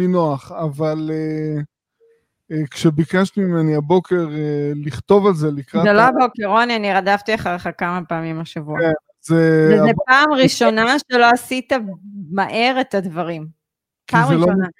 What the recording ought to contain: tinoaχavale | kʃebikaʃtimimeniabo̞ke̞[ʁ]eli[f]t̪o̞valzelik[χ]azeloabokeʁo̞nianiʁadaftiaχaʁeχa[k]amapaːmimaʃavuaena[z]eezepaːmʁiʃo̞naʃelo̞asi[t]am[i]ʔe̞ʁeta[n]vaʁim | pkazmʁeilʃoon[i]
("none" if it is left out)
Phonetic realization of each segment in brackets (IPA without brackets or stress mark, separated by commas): ʁ, χ, ʁ, k, z, t, a, d, a